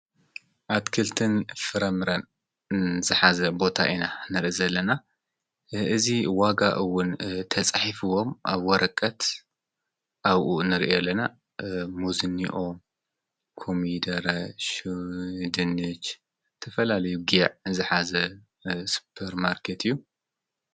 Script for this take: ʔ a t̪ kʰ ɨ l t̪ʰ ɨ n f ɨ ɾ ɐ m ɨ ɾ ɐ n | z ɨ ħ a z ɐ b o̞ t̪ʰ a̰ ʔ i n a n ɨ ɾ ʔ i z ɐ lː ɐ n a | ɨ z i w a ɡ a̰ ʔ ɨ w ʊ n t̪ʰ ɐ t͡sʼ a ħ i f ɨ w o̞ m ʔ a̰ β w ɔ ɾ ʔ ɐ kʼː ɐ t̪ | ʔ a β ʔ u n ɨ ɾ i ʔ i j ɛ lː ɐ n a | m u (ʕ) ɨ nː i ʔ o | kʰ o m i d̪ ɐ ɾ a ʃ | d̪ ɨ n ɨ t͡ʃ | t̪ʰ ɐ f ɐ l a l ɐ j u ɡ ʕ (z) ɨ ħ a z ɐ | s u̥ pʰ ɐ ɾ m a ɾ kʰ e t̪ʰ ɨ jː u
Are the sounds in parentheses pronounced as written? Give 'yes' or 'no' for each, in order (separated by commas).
no, yes